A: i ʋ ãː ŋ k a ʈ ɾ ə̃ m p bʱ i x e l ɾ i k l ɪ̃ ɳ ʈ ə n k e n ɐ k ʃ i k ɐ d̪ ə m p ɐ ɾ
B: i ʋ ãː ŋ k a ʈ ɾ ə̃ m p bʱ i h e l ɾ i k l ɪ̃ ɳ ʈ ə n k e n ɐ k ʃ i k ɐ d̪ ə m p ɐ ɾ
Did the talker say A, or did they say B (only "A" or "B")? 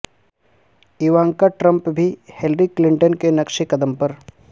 B